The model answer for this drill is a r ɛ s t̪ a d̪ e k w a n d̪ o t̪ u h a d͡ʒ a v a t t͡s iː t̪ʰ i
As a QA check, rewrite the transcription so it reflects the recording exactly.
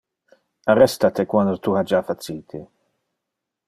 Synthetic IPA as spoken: a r ɛ s t̪ a t̪ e k w a n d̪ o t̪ u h a d͡ʒ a f a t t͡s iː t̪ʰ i